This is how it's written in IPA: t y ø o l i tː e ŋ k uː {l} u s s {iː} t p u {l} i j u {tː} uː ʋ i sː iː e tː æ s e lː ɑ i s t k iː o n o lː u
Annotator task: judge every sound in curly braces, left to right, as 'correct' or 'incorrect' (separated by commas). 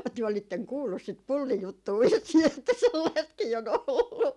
incorrect, incorrect, incorrect, correct